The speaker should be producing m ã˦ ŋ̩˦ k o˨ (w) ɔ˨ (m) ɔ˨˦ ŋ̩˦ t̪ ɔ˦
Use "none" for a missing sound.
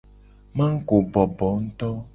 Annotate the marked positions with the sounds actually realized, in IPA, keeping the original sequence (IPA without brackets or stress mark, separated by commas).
b, b